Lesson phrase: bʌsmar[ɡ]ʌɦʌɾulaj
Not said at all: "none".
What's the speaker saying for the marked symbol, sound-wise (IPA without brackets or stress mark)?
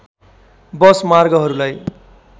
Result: ɡ